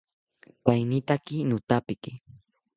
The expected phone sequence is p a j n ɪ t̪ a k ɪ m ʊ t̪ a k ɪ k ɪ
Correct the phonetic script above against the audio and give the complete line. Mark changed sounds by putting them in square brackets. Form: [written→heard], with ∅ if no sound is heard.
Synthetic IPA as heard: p a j n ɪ t̪ a k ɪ [m→n] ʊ t̪ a [k→p] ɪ k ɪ